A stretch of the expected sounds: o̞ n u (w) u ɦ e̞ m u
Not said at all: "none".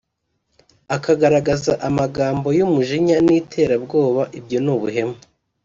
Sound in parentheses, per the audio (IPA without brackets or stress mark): β